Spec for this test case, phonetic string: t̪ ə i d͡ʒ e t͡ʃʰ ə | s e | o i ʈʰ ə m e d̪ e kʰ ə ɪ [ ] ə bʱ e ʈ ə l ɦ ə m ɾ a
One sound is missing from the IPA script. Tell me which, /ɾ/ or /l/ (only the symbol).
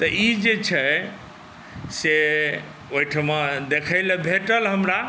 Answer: l